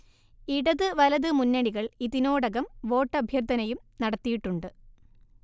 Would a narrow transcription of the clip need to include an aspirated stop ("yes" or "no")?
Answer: no